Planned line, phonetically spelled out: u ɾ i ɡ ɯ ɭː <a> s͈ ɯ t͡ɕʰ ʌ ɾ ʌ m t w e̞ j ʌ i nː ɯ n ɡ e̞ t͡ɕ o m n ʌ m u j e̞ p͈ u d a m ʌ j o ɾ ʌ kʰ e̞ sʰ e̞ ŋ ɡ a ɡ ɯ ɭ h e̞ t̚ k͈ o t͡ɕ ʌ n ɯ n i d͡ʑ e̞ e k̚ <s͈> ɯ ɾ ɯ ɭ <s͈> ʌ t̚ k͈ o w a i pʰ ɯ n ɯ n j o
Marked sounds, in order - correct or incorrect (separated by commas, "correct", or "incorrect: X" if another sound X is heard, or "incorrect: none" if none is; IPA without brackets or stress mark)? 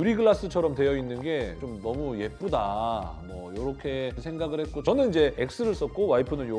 correct, correct, correct